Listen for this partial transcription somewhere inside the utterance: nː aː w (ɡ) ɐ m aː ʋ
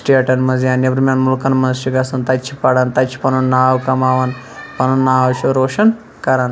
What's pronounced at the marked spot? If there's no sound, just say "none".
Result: k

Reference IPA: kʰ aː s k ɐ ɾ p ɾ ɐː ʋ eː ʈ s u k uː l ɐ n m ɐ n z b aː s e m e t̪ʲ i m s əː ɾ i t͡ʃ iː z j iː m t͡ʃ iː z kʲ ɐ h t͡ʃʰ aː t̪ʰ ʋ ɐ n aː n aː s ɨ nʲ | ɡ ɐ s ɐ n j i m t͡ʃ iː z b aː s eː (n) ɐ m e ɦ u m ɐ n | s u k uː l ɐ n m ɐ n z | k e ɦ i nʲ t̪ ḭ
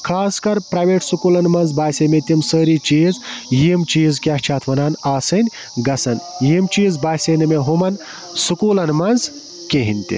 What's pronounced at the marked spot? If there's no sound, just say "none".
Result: n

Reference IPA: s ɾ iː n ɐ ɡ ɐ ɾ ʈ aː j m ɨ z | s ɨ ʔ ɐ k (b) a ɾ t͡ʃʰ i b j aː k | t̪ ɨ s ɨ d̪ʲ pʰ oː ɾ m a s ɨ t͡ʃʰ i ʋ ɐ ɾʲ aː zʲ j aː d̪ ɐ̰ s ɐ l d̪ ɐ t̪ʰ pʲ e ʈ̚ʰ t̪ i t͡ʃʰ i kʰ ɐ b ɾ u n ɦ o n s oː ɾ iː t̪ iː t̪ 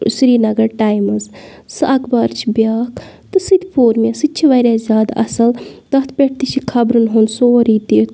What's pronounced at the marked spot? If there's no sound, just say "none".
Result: b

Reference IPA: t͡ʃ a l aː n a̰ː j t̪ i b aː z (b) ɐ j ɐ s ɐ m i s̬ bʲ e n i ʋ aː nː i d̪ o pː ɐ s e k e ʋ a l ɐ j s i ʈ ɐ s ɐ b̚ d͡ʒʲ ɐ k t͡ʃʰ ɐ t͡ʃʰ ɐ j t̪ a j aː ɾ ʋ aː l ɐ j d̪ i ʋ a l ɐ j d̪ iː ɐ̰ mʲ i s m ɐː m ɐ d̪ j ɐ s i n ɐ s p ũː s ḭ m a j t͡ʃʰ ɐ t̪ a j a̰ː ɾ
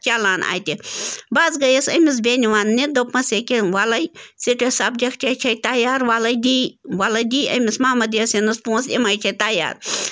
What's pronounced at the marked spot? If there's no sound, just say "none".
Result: ɡ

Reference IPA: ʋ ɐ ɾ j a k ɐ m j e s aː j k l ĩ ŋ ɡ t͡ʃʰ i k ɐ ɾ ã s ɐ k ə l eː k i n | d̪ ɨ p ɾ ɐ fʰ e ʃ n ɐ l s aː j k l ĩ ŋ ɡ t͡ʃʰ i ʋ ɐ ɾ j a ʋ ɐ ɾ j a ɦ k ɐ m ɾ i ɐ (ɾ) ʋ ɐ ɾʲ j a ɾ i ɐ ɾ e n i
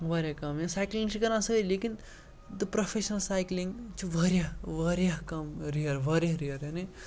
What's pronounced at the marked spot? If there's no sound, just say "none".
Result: ɾ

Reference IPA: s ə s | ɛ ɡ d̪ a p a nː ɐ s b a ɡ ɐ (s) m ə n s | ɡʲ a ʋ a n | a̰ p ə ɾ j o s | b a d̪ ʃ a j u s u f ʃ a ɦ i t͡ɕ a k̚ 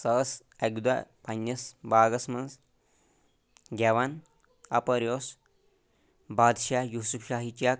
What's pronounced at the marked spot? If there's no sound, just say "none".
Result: s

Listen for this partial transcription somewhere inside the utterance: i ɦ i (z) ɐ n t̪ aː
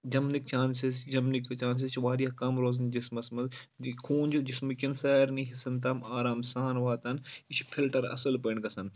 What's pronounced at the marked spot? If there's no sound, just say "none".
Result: s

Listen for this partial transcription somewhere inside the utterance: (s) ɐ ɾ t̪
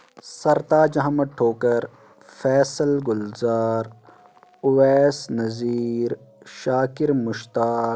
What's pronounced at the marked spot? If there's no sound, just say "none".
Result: s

